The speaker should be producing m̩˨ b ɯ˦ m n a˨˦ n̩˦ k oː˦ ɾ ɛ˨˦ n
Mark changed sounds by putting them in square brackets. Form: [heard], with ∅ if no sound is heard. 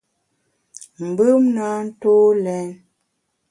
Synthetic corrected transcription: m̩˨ b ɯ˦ m n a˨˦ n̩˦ [t] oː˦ [l] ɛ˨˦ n